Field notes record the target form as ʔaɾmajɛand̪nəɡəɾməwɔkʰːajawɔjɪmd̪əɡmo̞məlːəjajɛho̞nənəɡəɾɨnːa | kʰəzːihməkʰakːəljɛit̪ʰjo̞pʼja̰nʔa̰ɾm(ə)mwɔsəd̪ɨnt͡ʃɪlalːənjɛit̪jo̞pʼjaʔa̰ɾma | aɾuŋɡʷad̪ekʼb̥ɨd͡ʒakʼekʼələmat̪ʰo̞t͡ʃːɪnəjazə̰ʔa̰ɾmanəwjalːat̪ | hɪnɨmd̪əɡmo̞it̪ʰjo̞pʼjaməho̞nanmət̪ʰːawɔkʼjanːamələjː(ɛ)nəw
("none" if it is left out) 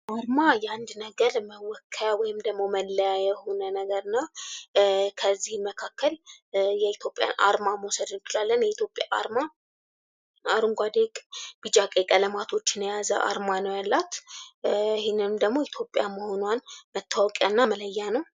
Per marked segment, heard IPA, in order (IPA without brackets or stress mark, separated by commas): a, a